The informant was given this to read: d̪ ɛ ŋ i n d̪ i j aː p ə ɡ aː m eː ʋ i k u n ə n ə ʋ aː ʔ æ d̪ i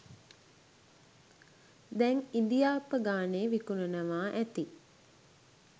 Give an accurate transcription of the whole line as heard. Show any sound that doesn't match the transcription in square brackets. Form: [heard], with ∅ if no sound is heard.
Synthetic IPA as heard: d̪ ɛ ŋ i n d̪ i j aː p ə ɡ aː [n] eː ʋ i k u n ə n ə ʋ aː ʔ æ [t̪] i